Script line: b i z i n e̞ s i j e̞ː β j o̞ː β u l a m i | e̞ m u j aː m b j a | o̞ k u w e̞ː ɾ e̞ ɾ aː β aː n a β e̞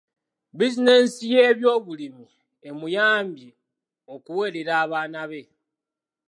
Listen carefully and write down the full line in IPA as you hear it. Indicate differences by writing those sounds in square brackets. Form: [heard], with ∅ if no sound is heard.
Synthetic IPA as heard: b i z i n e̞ s i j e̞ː β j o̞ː β u l [i] m i | e̞ m u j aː m b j [i] | o̞ k u w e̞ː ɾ e̞ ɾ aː β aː n a β e̞